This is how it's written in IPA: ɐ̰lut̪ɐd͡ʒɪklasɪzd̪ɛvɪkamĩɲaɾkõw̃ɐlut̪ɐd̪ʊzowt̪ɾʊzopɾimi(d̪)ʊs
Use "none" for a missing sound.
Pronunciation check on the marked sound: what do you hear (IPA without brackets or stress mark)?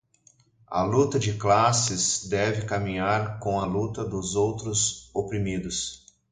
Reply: d̪